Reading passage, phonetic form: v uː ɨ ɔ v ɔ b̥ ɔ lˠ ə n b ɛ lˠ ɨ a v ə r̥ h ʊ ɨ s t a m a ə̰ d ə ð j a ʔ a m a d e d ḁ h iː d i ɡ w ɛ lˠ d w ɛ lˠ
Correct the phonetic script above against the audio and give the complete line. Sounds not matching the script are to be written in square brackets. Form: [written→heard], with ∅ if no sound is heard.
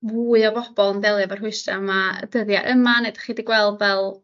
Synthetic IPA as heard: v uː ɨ ɔ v ɔ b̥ ɔ lˠ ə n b ɛ lˠ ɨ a v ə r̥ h ʊ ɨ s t a m a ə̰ d ə ð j a ʔ [a→ə] m a [d→n] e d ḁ [h→χ] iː d i ɡ w ɛ lˠ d [w→v] ɛ lˠ